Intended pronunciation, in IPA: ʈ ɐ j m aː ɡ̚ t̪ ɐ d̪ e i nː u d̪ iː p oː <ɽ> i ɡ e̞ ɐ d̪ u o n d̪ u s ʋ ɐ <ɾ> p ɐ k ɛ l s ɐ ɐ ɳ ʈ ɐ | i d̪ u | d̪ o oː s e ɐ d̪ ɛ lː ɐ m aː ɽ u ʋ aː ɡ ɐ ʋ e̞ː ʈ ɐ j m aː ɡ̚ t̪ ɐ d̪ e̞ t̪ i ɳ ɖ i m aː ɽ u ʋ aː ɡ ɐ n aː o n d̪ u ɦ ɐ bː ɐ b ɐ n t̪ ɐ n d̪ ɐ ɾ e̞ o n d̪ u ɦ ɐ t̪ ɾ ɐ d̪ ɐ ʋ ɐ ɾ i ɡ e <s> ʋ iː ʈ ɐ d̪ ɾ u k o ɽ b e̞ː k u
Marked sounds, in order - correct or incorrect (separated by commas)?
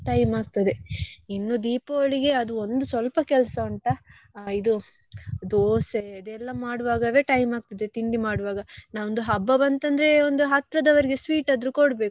incorrect, incorrect, correct